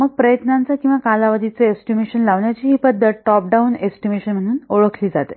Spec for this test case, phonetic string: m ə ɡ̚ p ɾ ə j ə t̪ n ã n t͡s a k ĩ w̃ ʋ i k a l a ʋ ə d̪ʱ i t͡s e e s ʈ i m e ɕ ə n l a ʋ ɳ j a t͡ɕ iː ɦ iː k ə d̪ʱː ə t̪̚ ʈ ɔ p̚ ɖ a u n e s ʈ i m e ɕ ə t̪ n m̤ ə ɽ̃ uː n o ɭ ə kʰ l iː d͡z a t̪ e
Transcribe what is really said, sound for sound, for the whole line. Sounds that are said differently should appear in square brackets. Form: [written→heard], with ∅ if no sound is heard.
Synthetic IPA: m ə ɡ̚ p ɾ ə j ə t̪ n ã n t͡s a k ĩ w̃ ʋ [i→a] k a l a ʋ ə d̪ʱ i t͡s e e s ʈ i m e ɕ ə n l a ʋ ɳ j a t͡ɕ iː ɦ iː [k→p] ə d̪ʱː ə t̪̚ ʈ ɔ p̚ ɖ a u n e s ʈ i m e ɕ ə [t̪→∅] n m̤ ə ɽ̃ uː n o ɭ ə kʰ l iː d͡z a t̪ e